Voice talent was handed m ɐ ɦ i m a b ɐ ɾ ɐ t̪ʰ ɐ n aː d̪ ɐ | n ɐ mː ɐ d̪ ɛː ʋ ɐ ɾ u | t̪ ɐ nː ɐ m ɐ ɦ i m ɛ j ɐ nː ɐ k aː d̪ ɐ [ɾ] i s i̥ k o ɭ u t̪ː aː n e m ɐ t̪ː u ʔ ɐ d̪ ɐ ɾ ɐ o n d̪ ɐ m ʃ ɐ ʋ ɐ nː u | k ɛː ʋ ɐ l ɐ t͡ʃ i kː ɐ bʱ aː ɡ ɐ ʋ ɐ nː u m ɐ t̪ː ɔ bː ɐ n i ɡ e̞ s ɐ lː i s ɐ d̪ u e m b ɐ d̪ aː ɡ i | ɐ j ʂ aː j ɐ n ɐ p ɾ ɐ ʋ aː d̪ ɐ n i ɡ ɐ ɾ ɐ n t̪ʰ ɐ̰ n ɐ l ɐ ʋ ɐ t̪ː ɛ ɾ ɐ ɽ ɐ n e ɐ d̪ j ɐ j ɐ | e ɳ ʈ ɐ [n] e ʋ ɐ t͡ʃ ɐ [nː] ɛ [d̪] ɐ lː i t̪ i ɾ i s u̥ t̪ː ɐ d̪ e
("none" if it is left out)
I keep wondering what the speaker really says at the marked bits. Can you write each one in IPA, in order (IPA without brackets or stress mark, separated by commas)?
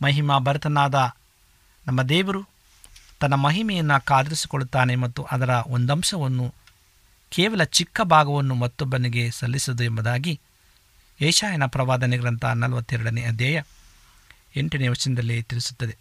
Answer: ɾ, n, n, d̪